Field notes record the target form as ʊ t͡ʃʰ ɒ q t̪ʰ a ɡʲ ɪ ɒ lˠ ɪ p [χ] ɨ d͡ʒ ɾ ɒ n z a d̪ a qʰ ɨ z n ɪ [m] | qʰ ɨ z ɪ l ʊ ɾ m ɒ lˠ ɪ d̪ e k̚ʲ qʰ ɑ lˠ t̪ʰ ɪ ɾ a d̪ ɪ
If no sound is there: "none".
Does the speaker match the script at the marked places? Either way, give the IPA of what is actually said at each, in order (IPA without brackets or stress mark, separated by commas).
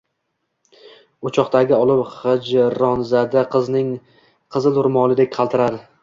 χ, ŋ